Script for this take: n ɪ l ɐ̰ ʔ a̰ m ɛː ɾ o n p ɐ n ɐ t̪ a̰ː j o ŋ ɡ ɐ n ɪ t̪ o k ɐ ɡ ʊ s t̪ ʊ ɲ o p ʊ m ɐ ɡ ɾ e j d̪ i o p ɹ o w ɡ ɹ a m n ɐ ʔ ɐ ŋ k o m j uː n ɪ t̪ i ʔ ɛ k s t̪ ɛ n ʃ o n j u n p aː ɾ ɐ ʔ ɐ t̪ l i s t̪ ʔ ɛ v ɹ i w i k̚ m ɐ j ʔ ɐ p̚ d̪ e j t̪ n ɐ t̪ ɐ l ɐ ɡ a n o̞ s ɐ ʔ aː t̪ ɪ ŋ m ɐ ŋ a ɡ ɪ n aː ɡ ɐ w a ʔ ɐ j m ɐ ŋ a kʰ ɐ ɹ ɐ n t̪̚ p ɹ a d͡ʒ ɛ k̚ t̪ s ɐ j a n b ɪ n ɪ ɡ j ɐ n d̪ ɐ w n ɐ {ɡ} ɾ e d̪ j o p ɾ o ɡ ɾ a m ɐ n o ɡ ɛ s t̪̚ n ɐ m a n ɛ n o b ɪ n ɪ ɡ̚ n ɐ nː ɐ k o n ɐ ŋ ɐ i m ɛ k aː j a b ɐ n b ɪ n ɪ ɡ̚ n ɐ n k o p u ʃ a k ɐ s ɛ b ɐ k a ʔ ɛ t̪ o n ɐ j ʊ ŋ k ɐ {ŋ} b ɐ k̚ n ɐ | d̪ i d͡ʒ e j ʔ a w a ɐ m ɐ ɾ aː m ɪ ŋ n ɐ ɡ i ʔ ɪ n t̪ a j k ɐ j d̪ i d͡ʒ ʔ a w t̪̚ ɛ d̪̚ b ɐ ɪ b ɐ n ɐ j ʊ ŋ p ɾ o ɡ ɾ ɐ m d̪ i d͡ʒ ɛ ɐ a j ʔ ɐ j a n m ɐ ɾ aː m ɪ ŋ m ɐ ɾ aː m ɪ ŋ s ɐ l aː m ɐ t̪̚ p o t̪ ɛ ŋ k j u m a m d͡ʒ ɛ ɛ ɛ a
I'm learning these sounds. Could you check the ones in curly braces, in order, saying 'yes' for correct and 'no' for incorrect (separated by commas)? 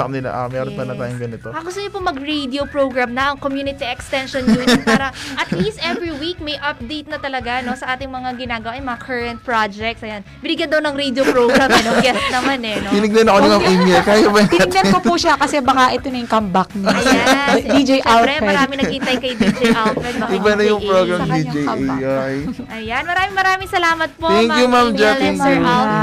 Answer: no, no